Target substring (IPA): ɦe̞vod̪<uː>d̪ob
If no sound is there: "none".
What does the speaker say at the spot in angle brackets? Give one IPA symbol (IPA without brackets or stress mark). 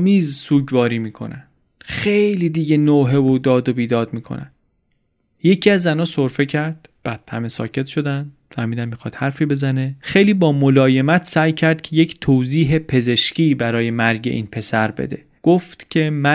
ɒː